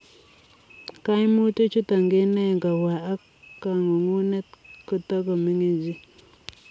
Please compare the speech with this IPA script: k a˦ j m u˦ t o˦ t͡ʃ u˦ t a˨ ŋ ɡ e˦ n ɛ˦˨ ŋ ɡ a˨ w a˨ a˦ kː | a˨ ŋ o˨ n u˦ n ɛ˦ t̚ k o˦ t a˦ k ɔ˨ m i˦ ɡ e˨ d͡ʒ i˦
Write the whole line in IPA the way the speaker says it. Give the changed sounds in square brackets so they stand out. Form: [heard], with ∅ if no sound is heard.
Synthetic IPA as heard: k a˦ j m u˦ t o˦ t͡ʃ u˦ t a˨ ŋ ɡ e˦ n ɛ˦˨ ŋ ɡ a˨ w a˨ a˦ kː | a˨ ŋ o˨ [ŋ] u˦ n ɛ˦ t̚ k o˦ t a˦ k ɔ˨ m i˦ [ŋ] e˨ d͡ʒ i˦

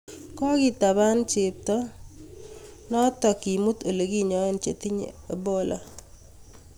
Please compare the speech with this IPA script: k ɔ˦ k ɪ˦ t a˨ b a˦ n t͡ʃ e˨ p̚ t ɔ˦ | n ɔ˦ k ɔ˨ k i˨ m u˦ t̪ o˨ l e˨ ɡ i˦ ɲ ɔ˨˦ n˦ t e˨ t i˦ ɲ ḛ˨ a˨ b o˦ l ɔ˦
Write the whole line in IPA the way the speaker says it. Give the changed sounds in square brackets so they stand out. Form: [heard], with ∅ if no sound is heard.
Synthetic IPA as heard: k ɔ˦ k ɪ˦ t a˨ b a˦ n t͡ʃ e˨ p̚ t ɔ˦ | n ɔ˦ [t] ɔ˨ k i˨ m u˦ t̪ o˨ l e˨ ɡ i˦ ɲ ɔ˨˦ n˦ [t͡ʃ] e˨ t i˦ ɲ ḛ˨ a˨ b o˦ l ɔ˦

